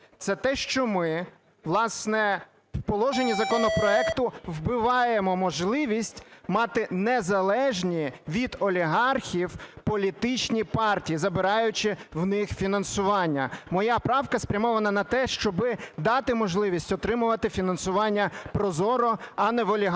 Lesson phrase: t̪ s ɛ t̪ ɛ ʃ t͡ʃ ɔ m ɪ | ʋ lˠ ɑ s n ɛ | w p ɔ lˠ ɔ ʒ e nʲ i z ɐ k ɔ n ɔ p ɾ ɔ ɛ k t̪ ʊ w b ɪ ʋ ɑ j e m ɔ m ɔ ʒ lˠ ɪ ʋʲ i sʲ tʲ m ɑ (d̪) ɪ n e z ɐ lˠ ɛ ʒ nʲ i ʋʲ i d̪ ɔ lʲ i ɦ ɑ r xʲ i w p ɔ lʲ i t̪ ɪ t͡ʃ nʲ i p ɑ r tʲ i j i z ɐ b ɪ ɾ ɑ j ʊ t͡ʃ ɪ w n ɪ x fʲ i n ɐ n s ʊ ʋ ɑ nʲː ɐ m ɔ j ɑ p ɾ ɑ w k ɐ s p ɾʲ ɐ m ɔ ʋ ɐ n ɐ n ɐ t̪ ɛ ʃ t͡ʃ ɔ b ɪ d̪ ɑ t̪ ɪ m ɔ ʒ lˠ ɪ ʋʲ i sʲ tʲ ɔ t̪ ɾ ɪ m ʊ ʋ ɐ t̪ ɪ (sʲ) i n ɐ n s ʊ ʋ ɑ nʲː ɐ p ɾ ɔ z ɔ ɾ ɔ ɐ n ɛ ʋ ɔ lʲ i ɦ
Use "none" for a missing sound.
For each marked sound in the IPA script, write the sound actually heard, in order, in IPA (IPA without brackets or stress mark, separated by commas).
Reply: t̪, fʲ